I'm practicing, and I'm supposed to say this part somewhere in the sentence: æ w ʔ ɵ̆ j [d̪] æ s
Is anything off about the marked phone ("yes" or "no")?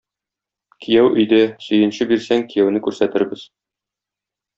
no